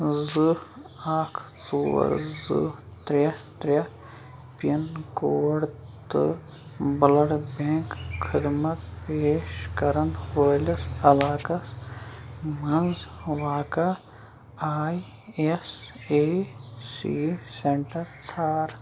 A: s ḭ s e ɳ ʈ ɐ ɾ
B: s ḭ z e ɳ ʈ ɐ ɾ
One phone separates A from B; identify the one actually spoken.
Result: A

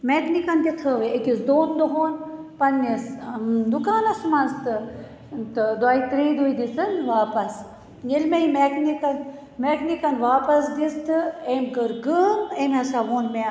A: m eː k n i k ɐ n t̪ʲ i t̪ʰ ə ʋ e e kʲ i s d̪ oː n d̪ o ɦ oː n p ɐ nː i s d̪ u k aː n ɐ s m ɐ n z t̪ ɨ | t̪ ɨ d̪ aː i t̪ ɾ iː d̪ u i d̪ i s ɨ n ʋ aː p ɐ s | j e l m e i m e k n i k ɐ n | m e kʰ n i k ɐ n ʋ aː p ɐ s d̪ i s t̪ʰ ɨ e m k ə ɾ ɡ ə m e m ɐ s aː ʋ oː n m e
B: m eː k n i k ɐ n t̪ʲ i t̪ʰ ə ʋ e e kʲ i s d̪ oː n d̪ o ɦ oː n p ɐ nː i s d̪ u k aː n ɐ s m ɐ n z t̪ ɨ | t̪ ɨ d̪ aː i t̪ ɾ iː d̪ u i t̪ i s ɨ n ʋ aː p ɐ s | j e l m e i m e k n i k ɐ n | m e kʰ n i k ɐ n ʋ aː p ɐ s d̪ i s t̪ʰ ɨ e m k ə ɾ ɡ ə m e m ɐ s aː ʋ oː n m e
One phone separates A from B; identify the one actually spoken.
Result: A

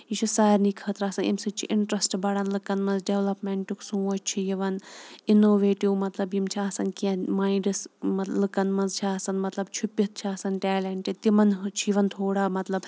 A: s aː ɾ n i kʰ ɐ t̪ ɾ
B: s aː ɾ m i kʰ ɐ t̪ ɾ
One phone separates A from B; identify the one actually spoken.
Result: A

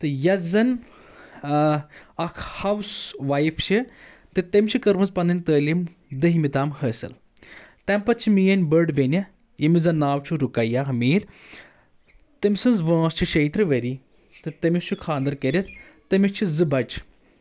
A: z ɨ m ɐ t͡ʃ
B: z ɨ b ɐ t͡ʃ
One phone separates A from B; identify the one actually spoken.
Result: B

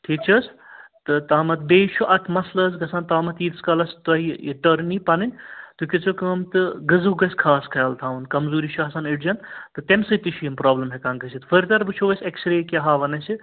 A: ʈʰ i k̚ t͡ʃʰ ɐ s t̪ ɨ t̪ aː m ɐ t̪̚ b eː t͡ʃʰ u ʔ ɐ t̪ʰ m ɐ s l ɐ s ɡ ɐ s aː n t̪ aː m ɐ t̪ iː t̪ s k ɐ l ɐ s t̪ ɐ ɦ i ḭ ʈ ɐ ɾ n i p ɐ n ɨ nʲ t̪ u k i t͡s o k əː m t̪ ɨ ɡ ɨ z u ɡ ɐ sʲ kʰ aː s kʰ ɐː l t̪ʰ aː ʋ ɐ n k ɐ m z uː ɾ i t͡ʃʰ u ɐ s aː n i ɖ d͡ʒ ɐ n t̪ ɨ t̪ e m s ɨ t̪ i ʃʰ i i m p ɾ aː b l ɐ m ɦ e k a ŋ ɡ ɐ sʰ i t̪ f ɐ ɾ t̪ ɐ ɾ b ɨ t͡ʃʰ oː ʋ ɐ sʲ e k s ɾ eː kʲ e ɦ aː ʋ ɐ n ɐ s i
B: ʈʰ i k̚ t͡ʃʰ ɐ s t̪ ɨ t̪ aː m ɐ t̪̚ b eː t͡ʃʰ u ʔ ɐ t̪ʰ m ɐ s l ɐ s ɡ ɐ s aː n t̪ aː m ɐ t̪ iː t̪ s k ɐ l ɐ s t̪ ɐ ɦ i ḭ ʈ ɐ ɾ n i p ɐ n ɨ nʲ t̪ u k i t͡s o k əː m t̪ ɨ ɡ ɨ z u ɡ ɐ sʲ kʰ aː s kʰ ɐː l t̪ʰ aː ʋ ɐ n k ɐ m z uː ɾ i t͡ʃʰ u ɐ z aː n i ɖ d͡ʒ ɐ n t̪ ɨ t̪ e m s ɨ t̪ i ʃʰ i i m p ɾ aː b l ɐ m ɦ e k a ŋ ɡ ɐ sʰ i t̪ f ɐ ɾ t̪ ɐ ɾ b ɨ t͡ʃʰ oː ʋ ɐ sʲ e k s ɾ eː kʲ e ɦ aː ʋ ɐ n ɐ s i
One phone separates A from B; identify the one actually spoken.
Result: A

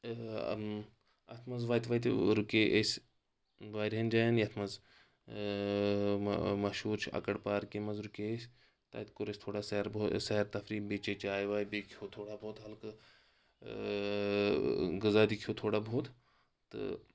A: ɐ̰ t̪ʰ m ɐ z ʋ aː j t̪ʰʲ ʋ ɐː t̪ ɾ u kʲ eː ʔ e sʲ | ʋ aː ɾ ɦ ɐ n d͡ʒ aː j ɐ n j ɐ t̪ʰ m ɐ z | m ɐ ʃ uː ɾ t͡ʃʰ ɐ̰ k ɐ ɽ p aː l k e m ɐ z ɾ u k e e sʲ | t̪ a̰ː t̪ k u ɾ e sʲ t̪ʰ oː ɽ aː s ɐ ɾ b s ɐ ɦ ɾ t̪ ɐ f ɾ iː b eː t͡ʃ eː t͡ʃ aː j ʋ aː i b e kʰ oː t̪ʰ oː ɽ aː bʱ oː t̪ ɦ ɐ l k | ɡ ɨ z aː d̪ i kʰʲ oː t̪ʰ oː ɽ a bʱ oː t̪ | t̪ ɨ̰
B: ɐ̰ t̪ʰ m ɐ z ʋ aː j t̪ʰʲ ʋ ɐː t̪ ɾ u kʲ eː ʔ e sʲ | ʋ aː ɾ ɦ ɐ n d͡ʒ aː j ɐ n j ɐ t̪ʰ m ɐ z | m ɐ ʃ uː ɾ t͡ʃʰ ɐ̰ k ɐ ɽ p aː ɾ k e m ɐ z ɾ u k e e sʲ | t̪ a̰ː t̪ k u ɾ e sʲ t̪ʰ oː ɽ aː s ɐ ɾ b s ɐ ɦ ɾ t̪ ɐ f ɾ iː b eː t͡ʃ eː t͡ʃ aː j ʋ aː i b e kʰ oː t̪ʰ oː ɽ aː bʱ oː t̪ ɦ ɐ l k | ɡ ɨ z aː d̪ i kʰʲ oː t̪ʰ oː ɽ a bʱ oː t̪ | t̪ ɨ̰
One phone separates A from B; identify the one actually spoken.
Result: B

